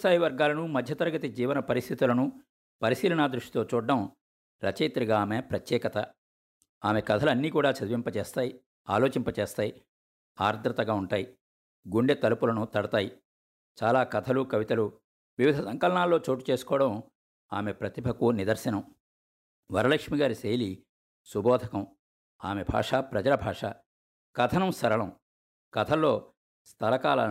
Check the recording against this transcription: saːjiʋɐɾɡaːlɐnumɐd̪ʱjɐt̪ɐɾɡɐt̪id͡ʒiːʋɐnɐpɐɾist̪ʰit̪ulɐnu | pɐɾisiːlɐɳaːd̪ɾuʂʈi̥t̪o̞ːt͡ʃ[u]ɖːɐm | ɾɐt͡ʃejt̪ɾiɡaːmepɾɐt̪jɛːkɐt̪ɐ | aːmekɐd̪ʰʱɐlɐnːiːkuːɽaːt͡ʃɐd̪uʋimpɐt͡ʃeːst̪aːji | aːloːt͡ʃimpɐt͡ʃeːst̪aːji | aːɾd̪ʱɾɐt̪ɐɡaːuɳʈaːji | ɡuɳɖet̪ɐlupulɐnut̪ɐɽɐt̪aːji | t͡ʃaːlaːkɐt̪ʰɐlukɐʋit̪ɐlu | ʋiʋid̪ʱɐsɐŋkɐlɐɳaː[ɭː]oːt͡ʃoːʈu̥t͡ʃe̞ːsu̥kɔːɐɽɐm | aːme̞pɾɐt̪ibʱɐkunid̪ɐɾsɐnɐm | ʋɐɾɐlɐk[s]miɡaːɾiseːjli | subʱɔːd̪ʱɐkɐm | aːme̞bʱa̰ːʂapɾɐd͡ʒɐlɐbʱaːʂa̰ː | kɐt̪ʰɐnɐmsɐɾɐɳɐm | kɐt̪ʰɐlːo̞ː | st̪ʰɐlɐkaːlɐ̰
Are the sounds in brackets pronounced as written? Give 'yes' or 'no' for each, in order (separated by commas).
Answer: no, no, no